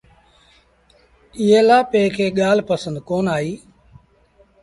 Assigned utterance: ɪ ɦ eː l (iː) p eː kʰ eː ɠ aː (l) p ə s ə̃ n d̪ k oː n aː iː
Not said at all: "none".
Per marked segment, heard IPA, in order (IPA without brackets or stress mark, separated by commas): aː, l